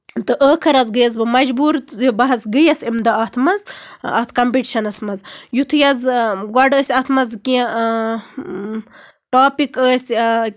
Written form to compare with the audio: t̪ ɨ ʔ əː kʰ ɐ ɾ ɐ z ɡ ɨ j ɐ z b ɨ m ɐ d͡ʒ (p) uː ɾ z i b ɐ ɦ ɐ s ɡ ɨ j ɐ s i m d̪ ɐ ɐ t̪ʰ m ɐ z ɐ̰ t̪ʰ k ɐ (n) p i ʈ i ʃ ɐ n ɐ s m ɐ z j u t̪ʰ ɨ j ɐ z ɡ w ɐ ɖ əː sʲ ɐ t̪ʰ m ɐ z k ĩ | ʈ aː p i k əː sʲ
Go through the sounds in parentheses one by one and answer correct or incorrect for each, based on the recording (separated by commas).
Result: incorrect, incorrect